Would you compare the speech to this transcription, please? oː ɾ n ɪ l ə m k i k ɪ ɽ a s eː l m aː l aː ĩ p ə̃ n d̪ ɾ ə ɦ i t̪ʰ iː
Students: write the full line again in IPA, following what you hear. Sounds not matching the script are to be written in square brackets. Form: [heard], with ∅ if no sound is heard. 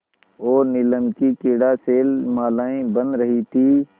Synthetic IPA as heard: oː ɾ n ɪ l ə m k i k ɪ ɽ a s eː l m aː l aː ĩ [b] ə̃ n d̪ ɾ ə ɦ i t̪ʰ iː